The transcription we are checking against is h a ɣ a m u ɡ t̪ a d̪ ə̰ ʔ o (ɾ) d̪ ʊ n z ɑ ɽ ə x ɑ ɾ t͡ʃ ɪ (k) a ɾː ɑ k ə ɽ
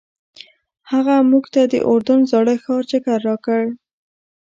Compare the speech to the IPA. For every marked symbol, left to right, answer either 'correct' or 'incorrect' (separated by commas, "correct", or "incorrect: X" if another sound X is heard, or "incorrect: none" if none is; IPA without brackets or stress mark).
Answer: correct, correct